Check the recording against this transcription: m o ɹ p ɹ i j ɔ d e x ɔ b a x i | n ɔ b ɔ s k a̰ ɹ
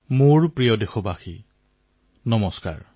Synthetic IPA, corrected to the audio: m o ɹ p ɹ i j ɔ d e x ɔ b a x i | n ɔ m ɔ s k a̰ ɹ